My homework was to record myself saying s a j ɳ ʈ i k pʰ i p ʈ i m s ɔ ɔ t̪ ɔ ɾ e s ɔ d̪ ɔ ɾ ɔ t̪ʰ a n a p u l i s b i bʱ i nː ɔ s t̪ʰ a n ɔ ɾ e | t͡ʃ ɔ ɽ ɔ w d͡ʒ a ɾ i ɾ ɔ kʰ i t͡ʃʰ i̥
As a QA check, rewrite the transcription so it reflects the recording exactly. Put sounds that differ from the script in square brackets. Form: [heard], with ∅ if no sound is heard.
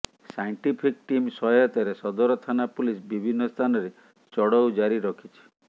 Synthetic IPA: s a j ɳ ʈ i [∅] pʰ i [k] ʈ i m s ɔ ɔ t̪ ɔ ɾ e s ɔ d̪ ɔ ɾ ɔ t̪ʰ a n a p u l i s b i bʱ i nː ɔ s t̪ʰ a n ɔ ɾ e | t͡ʃ ɔ ɽ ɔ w d͡ʒ a ɾ i ɾ ɔ kʰ i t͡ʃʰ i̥